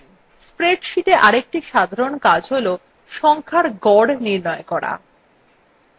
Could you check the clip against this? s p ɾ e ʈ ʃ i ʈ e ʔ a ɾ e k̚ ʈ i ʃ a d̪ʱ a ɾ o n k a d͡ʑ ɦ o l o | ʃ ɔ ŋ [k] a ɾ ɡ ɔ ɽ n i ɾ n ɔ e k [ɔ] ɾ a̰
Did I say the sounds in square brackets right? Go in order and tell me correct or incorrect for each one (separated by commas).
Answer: incorrect, correct